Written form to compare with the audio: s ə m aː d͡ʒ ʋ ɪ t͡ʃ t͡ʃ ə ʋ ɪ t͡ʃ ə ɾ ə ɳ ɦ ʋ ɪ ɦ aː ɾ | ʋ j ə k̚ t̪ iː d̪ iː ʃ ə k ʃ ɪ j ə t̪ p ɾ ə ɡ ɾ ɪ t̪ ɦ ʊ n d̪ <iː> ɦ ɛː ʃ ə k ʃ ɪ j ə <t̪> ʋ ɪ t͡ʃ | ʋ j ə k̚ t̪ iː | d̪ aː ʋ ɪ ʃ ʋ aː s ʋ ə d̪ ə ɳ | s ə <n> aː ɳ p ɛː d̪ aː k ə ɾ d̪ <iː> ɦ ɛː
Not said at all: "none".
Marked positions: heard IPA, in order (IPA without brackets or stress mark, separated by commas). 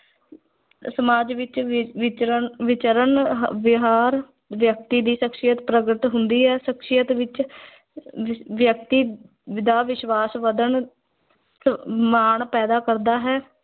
iː, t̪, m, aː